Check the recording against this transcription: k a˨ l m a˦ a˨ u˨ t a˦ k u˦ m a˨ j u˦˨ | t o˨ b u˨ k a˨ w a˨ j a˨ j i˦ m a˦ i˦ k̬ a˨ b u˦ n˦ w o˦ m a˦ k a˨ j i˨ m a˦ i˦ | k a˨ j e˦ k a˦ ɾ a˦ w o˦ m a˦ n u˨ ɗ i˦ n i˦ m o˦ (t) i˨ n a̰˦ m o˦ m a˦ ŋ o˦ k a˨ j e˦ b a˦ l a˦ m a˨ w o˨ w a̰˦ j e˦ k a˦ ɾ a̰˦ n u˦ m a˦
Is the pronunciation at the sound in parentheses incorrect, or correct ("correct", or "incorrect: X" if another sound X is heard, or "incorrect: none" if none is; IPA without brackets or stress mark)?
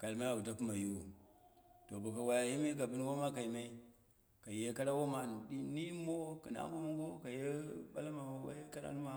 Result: incorrect: k